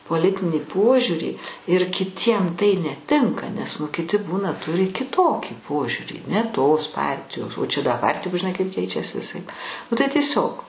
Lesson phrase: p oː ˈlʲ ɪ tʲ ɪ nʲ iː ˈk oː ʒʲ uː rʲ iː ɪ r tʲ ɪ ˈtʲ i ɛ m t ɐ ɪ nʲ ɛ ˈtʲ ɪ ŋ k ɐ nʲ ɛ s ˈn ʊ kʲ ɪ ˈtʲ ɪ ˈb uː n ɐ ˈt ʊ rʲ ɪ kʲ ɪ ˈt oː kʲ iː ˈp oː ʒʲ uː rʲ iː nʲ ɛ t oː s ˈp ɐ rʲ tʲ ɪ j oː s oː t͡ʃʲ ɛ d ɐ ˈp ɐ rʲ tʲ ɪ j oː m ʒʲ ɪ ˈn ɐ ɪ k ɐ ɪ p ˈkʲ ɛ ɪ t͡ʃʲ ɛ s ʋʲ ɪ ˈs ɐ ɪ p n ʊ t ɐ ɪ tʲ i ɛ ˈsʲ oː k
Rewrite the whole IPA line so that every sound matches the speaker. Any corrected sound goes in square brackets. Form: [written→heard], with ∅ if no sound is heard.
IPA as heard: p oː ˈlʲ ɪ tʲ ɪ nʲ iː [ˈk→ˈp] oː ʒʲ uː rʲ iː ɪ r [tʲ→kʲ] ɪ ˈtʲ i ɛ m t ɐ ɪ nʲ ɛ ˈtʲ ɪ ŋ k ɐ nʲ ɛ s ˈn ʊ kʲ ɪ ˈtʲ ɪ ˈb uː n ɐ ˈt ʊ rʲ ɪ kʲ ɪ ˈt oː kʲ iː ˈp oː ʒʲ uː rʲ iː nʲ ɛ t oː s ˈp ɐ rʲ tʲ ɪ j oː s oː t͡ʃʲ ɛ d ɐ ˈp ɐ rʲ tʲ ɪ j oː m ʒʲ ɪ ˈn ɐ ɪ k ɐ ɪ p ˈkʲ ɛ ɪ t͡ʃʲ ɛ s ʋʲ ɪ ˈs ɐ ɪ p n ʊ t ɐ ɪ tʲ i ɛ ˈsʲ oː k